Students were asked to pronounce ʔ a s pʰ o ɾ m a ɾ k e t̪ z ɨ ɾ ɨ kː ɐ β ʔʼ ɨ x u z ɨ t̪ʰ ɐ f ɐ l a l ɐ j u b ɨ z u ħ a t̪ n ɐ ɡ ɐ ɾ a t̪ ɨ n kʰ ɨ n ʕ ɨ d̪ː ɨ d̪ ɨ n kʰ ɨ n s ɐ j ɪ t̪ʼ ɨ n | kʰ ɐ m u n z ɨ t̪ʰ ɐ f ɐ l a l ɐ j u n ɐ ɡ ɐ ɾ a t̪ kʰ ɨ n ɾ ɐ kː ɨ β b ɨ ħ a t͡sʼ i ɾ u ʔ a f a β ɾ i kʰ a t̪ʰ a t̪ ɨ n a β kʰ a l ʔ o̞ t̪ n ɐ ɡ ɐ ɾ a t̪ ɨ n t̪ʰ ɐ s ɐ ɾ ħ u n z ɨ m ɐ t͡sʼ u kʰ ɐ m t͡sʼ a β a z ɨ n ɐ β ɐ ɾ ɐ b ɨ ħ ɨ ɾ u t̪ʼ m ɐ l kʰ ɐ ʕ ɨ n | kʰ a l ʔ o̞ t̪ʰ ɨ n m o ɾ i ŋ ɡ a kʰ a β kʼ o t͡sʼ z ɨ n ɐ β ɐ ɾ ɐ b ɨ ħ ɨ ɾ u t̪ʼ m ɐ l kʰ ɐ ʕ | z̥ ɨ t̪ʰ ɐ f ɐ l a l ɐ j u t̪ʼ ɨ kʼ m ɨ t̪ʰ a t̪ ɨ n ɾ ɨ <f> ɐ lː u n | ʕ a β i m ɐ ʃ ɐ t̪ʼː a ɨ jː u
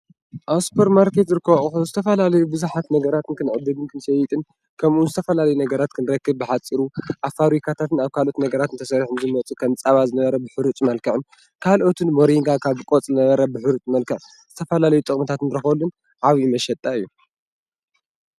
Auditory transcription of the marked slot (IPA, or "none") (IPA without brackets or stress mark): x